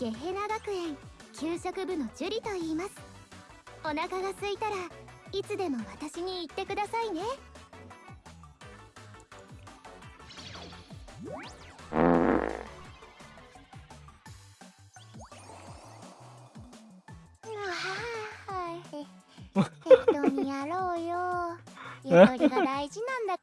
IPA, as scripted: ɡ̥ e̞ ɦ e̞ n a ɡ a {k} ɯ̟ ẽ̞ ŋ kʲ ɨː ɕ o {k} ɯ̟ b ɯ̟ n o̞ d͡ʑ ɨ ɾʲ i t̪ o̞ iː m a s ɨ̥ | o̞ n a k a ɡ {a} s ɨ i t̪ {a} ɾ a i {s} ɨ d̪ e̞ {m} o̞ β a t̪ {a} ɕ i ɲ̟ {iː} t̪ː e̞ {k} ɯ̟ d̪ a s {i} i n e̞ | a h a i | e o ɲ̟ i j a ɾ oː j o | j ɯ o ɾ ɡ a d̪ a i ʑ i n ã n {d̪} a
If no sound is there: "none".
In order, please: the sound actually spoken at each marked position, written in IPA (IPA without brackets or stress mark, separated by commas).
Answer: k, k, a, a, t͡s, m, a, iː, k, a, d̪